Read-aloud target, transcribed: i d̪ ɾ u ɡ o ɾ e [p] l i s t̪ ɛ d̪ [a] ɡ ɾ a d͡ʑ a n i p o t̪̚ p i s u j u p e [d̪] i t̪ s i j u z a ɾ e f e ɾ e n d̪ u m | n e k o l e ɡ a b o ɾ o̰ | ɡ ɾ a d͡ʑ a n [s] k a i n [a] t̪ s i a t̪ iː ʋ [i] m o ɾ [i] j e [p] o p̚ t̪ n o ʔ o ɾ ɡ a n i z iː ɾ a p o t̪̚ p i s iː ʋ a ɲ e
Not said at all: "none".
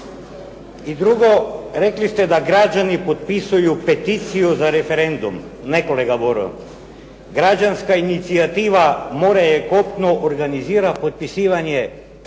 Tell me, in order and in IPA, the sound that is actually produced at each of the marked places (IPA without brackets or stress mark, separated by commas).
k, a, t̪, s, i, a, a, k